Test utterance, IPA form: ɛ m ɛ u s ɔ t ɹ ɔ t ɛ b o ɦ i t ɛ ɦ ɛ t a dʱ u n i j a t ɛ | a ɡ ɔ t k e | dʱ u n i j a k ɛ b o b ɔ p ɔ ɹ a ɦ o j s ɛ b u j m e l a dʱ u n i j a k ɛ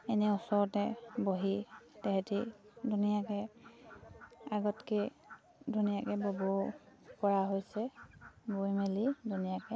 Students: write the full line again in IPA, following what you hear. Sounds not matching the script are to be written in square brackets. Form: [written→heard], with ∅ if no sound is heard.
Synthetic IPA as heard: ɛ [m→n] ɛ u s ɔ [t→∅] ɹ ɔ t ɛ b o ɦ i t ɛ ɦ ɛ t [a→i] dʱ u n i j a [t→k] ɛ | a ɡ ɔ t k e | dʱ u n i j a k ɛ b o b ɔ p ɔ ɹ a ɦ o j s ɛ b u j m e l [a→i] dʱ u n i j a k ɛ